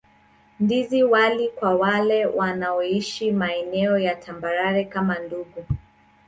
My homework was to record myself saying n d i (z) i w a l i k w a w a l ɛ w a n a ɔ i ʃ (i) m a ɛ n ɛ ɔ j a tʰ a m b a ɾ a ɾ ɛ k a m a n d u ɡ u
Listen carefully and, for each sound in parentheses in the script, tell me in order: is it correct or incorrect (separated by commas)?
correct, correct